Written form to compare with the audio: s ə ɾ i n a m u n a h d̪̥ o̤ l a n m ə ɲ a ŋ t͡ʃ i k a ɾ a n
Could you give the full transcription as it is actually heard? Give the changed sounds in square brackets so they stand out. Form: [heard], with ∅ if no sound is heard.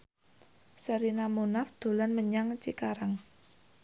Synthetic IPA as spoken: s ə ɾ i n a m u n a [f] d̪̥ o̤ l a n m ə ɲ a ŋ t͡ʃ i k a ɾ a [ŋ]